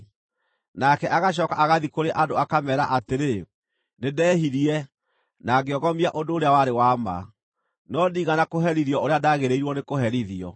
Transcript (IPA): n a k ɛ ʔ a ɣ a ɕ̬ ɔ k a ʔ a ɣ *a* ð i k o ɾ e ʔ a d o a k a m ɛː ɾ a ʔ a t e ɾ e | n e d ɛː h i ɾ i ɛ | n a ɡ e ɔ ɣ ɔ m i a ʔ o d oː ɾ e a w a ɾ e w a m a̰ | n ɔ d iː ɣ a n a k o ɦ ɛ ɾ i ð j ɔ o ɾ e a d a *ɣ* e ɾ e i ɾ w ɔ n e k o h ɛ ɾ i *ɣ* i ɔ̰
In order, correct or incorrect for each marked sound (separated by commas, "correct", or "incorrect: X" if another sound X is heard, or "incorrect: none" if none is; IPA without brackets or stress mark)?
correct, correct, incorrect: ð